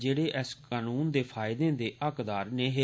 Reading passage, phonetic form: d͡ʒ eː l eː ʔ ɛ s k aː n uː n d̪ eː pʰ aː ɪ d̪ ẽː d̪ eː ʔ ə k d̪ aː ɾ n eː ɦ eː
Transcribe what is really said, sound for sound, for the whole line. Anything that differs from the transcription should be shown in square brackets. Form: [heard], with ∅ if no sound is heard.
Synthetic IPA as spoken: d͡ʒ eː [ɽ] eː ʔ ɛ s k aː n uː n d̪ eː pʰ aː ɪ d̪ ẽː d̪ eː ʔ ə k d̪ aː ɾ n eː ɦ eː